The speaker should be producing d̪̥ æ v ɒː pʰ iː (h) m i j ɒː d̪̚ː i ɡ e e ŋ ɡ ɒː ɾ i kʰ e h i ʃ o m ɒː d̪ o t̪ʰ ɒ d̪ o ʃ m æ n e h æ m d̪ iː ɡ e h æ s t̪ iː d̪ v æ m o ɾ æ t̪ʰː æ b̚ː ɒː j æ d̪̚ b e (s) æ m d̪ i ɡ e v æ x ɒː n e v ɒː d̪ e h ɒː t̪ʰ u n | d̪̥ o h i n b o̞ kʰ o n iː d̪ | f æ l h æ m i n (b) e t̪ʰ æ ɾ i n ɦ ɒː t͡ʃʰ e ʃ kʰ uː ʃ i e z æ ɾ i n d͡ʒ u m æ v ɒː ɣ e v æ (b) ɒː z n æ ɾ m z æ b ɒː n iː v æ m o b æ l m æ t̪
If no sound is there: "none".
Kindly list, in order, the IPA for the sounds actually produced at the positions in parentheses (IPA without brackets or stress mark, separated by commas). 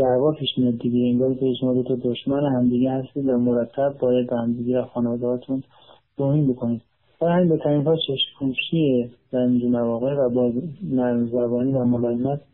ʃ, h, b, b